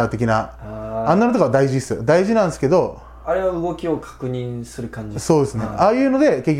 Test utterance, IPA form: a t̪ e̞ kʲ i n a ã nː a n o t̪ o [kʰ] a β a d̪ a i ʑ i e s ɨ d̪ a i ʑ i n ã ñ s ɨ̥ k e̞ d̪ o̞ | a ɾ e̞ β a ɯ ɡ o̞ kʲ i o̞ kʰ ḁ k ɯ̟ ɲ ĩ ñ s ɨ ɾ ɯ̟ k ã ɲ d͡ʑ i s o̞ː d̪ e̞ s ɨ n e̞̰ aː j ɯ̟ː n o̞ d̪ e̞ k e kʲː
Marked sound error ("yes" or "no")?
yes